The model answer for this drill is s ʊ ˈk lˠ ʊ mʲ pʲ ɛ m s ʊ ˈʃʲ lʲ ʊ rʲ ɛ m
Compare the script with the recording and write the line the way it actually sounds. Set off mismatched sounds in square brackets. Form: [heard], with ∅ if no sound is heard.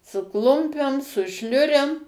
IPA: s ʊ ˈk lˠ ʊ mʲ pʲ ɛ m s ʊ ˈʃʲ lʲ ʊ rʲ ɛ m